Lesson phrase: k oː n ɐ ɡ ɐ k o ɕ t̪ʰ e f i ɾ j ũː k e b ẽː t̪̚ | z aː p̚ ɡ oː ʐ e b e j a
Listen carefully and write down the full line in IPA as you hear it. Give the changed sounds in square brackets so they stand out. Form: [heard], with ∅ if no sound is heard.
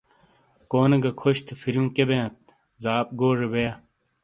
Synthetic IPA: k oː n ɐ ɡ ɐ [kʰ] o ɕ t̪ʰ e f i ɾ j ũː k e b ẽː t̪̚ | z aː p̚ ɡ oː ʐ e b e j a